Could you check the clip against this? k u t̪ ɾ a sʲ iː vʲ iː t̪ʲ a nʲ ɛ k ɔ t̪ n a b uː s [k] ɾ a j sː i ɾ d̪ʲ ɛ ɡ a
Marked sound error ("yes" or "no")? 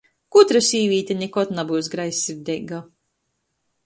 yes